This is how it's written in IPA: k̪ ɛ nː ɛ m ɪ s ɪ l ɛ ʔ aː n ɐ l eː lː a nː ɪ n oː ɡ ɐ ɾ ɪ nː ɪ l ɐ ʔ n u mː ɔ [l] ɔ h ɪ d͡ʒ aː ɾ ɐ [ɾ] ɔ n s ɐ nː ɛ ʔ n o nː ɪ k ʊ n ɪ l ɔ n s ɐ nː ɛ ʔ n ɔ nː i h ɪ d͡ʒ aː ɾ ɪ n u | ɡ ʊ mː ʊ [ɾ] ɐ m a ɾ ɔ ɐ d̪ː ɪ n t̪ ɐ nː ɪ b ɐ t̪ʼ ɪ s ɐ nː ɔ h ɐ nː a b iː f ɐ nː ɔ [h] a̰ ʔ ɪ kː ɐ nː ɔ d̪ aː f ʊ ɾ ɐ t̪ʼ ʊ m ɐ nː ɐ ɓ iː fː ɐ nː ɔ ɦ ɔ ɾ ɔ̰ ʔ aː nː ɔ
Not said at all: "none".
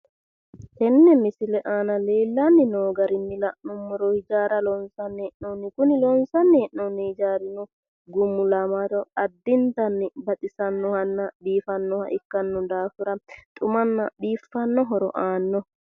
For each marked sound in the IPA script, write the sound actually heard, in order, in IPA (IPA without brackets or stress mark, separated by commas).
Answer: ɾ, l, l, h